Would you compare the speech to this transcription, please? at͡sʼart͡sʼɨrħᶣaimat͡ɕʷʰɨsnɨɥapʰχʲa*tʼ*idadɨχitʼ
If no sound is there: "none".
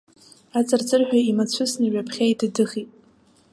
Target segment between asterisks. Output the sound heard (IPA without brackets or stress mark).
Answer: none